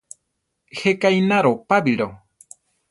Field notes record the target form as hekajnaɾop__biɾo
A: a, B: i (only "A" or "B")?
A